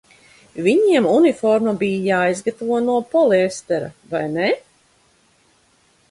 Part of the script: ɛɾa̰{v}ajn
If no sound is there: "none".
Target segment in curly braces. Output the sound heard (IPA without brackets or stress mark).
v